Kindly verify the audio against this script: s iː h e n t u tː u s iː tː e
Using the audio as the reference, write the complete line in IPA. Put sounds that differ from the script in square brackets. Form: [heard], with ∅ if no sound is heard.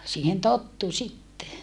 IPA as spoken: s iː h e n t [o] tː u s [i] tː e